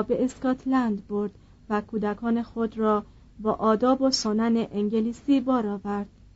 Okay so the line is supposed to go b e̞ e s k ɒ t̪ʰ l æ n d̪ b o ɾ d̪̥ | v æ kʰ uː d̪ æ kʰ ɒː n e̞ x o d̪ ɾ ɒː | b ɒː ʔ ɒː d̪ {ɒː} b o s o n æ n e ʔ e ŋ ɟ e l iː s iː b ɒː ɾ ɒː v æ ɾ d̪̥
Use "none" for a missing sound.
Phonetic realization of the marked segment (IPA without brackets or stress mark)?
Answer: ɒː